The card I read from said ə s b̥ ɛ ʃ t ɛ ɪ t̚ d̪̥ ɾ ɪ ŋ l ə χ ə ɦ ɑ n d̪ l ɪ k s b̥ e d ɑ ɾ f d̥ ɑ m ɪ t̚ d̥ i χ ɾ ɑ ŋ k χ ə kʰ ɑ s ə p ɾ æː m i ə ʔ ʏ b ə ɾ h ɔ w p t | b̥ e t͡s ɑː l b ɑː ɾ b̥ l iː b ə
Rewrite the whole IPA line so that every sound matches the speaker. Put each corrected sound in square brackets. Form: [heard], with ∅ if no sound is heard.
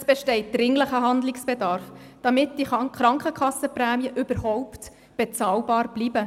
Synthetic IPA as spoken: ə s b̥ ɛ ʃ t ɛ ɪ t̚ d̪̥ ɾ ɪ ŋ l ə χ ə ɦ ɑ n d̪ l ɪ k s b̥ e d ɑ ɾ f d̥ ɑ m ɪ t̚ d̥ i χ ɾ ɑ ŋ k χ ə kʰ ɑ s ə p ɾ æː m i ə ʔ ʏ b ə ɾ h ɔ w p t | b̥ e t͡s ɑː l b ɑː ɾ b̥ l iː b ə